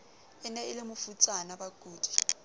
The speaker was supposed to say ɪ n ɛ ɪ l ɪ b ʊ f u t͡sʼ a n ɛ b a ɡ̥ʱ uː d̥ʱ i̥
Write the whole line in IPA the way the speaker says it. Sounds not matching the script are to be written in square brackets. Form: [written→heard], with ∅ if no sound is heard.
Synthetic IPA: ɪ n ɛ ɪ l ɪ [b→m] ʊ f u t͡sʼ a n [ɛ→a] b a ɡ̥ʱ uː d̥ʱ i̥